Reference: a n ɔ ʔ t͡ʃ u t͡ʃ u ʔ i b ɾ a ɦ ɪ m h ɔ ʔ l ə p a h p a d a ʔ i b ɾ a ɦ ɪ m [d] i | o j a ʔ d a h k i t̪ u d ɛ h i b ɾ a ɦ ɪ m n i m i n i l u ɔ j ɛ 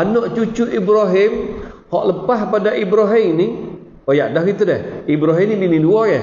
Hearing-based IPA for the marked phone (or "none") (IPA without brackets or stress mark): n